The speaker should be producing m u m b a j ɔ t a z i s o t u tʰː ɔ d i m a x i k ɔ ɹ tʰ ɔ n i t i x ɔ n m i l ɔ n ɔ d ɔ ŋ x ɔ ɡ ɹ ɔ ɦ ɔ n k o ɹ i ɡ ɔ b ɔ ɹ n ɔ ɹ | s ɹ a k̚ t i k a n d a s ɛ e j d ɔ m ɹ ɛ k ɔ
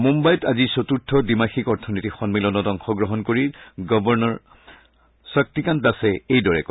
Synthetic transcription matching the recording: m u m b a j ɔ t a z i s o t u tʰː ɔ d i m a x i k ɔ ɹ tʰ ɔ n i t i x ɔ n m i l ɔ n ɔ d ɔ ŋ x ɔ ɡ ɹ ɔ ɦ ɔ n k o ɹ i ɡ ɔ b ɔ ɹ n ɔ ɹ | s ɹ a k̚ t i k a n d a s ɛ e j d ɔ ɹ ɛ k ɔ